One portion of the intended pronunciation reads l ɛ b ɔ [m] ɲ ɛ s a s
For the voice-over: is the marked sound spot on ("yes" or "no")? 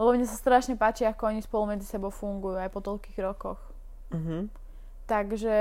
yes